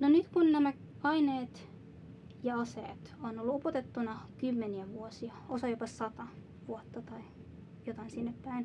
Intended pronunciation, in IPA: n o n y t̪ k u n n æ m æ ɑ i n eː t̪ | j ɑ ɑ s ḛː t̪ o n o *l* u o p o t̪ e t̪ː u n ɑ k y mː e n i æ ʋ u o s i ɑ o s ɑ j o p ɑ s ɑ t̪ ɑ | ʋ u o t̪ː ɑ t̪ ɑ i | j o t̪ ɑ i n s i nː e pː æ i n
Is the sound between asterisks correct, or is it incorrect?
incorrect